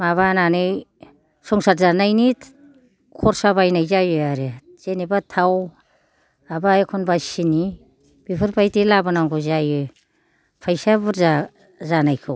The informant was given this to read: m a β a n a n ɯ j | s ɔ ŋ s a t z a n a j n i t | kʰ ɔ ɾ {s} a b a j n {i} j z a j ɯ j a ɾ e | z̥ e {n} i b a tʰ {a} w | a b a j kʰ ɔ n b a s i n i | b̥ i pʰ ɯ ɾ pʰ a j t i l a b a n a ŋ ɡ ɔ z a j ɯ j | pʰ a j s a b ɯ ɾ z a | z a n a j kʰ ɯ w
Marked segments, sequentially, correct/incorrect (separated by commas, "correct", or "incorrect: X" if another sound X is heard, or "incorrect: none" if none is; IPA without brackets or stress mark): correct, incorrect: a, correct, correct